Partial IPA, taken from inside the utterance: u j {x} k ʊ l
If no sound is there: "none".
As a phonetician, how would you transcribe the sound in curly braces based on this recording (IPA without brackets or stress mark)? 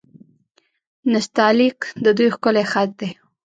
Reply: x